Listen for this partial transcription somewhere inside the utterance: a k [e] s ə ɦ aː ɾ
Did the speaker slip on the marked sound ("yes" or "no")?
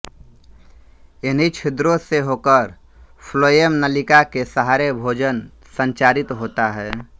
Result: no